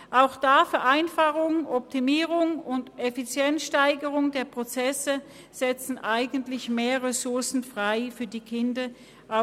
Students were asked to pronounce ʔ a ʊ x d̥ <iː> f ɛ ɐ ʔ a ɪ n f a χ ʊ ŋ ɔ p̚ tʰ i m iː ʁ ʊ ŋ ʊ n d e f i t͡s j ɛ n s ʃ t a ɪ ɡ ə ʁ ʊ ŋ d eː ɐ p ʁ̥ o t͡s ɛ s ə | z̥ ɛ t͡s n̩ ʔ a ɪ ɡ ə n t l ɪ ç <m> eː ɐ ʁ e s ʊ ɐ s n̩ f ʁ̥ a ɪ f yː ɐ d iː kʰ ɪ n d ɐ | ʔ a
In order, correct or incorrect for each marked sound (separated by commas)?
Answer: incorrect, correct